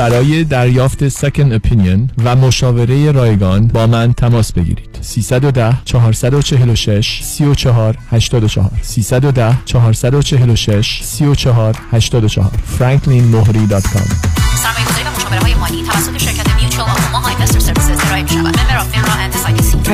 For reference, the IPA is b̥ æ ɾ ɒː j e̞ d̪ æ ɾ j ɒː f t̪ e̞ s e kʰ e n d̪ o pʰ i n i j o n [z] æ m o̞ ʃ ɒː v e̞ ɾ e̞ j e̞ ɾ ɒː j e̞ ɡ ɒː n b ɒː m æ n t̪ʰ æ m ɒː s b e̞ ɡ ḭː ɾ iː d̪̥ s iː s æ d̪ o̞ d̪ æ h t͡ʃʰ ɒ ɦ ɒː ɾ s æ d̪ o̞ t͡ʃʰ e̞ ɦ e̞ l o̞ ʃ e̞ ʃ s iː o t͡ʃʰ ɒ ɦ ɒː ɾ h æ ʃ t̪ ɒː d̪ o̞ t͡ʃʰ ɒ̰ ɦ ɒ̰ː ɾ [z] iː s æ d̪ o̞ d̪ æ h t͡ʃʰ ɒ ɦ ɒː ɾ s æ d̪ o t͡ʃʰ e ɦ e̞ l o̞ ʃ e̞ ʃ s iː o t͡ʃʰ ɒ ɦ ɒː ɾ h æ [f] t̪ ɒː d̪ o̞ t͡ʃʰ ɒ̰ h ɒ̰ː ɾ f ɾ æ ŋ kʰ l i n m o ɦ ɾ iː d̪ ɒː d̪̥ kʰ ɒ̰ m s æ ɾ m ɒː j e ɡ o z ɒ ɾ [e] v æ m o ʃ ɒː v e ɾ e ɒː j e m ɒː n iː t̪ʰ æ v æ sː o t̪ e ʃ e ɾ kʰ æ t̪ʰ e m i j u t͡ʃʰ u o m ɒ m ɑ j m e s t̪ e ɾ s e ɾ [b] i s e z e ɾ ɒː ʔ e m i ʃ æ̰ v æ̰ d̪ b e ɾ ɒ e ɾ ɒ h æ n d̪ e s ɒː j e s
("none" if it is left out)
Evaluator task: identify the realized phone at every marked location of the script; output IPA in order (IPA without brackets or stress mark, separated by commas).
v, s, ʃ, i, v